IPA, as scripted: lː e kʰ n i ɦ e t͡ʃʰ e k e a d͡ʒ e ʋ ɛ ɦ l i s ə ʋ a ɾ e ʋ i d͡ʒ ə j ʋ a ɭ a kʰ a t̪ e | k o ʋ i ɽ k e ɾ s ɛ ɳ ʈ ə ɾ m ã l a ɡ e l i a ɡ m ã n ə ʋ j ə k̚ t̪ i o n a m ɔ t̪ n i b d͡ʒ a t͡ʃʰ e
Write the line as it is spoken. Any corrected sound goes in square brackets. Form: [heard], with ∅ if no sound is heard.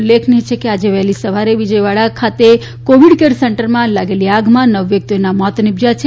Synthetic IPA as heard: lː e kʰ n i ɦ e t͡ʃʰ e k e a d͡ʒ e ʋ ɛ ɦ l i s ə ʋ a ɾ e ʋ i d͡ʒ ə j ʋ a ɭ a kʰ a t̪ e | k o ʋ i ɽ k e ɾ s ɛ ɳ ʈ ə ɾ m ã l a ɡ e l i a ɡ m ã n ə ʋ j ə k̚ t̪ i o n a m ɔ t̪ n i b d͡ʒ a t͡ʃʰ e